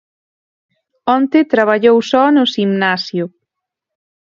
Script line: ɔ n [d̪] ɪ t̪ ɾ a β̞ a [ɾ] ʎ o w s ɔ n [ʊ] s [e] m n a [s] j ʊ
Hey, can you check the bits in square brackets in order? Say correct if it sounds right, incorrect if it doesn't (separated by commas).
incorrect, incorrect, correct, incorrect, correct